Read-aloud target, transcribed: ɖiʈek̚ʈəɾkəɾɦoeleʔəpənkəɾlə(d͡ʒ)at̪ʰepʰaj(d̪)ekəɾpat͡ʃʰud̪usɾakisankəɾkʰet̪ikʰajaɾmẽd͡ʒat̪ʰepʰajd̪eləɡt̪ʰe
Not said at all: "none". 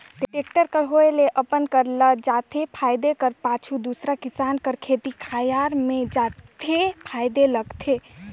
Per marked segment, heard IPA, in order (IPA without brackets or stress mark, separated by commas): d͡ʒ, d̪